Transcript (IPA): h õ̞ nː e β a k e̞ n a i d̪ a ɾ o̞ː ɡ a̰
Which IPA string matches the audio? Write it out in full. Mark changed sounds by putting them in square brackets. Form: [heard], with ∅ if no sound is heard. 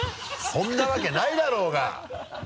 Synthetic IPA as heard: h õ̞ nː [a] β a k e̞ n a i d̪ a ɾ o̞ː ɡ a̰